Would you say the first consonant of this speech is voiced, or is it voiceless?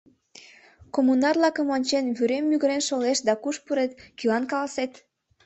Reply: voiceless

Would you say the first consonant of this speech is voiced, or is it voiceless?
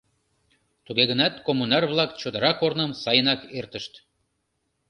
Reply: voiceless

